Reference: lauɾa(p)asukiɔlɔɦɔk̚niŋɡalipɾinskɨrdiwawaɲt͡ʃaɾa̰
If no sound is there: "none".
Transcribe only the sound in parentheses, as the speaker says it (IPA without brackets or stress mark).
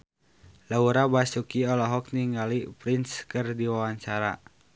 b